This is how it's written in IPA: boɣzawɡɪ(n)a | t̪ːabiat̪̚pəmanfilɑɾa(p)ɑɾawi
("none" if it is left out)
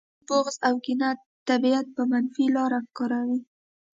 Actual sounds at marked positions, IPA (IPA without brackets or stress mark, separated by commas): n, k